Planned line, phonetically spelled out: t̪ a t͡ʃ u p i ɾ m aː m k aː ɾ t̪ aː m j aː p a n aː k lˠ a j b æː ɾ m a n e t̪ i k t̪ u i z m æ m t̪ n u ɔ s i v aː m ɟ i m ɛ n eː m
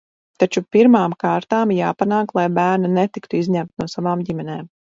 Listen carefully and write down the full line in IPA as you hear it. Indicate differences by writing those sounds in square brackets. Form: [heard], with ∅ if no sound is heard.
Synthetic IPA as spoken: t̪ a t͡ʃ u p i ɾ m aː m k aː ɾ t̪ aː m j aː p a n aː k lˠ a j b æː ɾ [n] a n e t̪ i k t̪ u i z [ɲ] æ m t̪ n u ɔ s [a] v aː m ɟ i m ɛ n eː m